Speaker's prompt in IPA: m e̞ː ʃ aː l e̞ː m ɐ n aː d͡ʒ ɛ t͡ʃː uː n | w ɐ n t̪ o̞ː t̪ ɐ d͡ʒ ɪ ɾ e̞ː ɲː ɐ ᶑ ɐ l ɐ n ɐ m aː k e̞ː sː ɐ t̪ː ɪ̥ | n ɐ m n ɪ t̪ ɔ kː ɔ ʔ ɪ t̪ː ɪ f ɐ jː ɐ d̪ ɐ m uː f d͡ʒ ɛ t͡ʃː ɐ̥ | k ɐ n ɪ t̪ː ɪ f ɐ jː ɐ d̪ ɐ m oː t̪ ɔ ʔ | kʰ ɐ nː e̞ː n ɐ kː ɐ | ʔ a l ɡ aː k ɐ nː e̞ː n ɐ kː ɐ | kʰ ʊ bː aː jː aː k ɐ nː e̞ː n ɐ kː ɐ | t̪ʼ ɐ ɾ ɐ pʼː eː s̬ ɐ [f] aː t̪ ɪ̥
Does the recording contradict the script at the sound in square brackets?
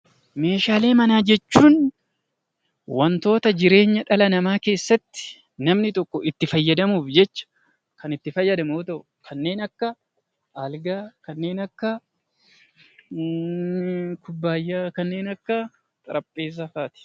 no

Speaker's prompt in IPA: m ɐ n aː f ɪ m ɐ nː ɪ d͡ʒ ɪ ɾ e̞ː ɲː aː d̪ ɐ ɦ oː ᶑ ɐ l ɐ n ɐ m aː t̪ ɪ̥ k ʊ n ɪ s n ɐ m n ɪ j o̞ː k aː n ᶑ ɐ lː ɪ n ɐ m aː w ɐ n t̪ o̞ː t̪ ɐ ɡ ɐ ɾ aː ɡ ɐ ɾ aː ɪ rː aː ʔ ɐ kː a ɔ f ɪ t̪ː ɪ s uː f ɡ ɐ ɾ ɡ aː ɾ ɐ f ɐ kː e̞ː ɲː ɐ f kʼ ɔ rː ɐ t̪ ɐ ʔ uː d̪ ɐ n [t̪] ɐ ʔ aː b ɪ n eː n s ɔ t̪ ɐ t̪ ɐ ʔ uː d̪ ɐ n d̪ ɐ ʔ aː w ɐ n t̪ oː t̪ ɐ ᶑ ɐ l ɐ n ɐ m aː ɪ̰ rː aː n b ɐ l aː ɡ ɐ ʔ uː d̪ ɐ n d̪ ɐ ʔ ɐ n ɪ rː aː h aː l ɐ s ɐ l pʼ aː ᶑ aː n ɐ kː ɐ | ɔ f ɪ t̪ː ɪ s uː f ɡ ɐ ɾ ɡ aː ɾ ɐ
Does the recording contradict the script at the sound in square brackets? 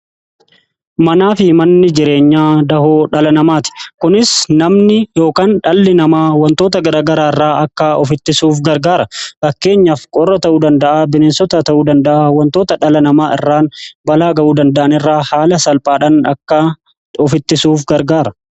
yes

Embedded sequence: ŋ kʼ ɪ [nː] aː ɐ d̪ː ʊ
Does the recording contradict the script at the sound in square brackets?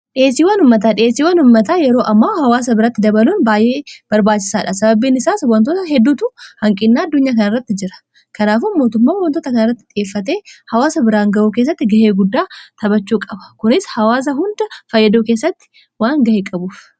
no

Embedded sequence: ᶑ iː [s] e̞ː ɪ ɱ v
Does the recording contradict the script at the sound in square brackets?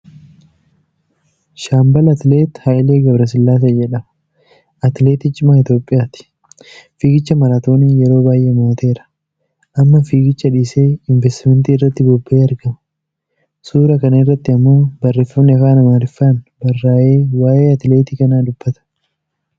no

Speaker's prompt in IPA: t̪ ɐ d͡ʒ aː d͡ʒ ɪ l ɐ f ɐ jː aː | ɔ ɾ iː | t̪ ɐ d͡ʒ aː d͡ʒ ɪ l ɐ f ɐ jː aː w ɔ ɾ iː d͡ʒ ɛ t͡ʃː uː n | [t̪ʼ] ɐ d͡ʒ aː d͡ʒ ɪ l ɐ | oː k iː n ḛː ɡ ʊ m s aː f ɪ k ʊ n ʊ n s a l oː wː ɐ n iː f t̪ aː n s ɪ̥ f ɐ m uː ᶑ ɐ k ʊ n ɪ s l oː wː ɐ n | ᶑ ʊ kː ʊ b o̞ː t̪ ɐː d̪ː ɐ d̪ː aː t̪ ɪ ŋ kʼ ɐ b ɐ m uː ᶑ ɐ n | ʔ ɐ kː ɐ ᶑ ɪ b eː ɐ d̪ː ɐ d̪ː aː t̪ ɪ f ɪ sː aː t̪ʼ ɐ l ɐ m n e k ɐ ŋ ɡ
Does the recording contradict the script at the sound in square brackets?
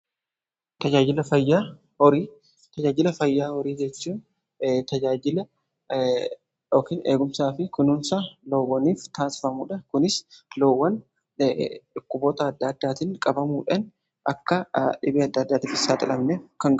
yes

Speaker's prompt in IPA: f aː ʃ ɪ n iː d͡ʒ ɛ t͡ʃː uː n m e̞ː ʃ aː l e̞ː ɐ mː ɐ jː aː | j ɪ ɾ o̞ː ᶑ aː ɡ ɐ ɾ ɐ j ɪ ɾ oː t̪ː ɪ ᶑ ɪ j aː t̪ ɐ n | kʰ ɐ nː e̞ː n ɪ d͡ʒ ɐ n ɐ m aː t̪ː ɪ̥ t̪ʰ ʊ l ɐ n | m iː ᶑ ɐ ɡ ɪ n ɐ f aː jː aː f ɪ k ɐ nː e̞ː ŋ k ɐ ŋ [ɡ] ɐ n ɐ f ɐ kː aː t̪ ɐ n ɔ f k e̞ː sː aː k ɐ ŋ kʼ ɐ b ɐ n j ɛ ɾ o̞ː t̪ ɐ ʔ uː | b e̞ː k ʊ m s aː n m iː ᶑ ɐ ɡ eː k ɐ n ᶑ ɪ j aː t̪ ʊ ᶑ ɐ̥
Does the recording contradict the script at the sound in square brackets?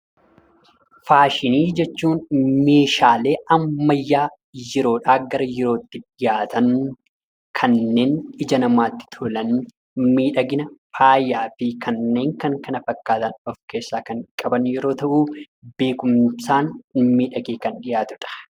yes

